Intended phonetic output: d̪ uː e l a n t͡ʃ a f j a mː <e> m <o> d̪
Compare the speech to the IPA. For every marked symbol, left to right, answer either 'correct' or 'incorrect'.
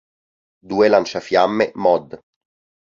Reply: correct, incorrect: ɔ

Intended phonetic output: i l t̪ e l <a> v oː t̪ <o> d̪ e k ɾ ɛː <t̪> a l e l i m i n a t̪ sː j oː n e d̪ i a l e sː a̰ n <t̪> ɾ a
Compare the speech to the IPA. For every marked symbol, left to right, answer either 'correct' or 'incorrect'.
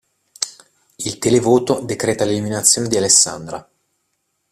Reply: incorrect: e, correct, correct, incorrect: d̪

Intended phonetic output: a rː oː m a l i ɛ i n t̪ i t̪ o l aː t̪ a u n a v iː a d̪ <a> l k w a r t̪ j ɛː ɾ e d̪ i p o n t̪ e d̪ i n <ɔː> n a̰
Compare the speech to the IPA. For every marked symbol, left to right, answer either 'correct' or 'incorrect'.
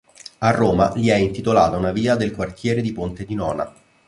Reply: incorrect: e, correct

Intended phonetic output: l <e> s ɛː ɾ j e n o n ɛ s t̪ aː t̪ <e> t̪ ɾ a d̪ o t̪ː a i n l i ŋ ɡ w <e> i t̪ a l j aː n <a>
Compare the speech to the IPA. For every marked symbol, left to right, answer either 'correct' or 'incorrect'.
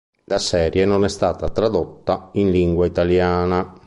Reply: incorrect: a, incorrect: a, incorrect: a, correct

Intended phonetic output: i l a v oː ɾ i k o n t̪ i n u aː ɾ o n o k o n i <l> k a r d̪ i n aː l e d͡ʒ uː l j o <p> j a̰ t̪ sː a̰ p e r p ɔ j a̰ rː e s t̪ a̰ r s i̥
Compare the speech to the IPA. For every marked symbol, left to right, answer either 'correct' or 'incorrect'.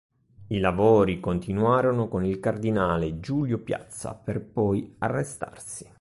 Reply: correct, correct

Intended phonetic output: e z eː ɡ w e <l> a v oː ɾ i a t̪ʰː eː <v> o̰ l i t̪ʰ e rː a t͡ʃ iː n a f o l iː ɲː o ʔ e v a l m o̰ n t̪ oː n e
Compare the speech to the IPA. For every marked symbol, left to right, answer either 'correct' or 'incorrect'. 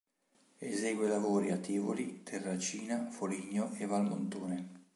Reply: correct, correct

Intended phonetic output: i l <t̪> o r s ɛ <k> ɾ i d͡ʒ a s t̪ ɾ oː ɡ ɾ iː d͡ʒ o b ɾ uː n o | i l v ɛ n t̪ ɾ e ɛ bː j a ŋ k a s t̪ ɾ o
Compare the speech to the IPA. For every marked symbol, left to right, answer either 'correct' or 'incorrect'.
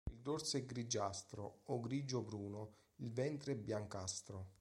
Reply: incorrect: d̪, incorrect: ɡ

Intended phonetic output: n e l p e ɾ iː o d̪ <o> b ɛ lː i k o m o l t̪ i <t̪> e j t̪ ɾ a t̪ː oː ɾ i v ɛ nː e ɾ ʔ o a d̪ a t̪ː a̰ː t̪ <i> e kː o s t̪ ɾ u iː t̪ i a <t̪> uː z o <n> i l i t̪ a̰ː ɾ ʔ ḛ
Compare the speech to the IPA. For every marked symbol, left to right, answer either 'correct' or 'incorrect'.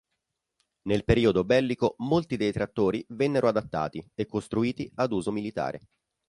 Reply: correct, incorrect: d̪, correct, incorrect: d̪, incorrect: m

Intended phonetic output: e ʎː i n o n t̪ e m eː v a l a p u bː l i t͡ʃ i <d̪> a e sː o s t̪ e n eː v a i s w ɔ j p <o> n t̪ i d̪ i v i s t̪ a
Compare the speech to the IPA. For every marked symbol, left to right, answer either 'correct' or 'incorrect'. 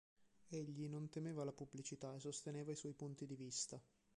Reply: incorrect: t̪, incorrect: u

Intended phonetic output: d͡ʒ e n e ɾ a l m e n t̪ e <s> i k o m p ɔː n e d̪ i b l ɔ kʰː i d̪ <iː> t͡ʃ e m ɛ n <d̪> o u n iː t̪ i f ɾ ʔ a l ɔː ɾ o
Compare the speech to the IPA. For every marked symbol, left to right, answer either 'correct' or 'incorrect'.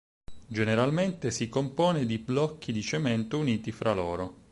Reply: correct, incorrect: i, incorrect: t̪

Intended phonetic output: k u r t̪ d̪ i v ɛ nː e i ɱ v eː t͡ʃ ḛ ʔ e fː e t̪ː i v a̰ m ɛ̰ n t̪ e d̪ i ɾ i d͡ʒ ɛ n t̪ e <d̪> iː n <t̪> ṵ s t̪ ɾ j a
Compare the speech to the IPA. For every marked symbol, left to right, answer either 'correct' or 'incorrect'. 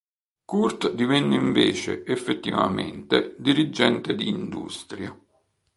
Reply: correct, incorrect: d̪

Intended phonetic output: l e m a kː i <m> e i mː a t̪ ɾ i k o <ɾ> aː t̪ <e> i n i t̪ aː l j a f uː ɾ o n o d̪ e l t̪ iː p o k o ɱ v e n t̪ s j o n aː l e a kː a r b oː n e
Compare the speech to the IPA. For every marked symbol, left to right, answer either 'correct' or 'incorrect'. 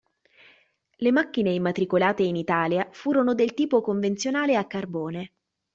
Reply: incorrect: n, incorrect: l, correct

